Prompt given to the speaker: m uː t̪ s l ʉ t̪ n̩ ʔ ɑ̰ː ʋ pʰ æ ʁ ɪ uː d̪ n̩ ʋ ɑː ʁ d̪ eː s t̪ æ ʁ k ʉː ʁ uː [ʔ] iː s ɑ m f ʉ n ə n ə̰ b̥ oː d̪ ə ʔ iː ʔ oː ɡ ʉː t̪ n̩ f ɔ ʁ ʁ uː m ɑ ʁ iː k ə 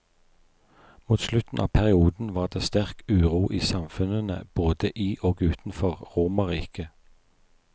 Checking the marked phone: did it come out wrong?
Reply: no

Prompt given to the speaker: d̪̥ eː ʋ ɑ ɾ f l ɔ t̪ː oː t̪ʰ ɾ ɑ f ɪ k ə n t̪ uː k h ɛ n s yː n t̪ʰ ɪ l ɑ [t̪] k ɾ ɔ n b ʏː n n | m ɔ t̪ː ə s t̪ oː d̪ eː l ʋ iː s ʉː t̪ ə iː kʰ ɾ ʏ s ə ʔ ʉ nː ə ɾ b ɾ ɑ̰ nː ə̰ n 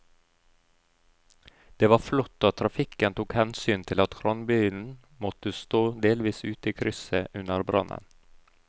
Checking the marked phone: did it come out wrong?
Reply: no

